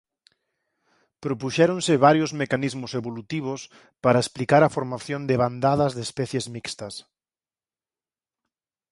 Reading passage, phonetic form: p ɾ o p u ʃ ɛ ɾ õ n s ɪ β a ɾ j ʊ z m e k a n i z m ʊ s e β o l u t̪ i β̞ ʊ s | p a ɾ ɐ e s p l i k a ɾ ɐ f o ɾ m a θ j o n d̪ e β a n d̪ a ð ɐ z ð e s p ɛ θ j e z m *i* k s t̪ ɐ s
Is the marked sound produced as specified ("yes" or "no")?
yes